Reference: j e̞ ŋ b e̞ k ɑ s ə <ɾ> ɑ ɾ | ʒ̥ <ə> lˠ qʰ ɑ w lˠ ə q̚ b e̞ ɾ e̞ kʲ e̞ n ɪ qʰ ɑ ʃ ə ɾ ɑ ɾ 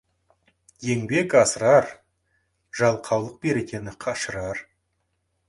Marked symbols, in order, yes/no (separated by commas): yes, no